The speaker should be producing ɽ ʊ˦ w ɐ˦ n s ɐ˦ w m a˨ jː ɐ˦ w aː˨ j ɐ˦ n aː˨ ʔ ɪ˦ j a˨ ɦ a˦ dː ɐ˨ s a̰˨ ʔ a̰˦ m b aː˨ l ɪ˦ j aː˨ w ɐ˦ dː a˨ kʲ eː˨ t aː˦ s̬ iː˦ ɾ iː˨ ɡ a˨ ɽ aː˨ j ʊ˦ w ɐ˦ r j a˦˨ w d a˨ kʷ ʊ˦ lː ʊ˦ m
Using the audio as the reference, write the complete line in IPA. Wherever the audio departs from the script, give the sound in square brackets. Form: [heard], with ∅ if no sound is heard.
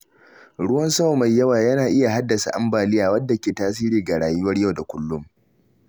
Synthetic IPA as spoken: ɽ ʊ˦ w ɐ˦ n s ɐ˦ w m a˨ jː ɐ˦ w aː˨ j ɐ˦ n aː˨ ʔ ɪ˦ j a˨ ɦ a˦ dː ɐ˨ s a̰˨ ʔ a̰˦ m b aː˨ l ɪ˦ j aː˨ w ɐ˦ dː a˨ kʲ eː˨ t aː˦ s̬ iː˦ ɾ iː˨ ɡ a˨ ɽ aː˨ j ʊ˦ w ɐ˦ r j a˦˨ w d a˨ kʷ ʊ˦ lː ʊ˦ m